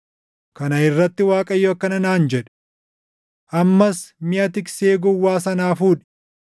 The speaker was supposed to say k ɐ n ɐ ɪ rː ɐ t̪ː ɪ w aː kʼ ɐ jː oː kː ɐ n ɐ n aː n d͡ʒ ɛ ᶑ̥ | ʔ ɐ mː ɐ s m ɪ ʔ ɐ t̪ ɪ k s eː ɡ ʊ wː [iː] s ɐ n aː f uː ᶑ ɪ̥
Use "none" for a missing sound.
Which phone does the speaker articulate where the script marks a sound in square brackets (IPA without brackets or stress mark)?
aː